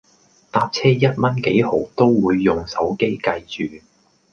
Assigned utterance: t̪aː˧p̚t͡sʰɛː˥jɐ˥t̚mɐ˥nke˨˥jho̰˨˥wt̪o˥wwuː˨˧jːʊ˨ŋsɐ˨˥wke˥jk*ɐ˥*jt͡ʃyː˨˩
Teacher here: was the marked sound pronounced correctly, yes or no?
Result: no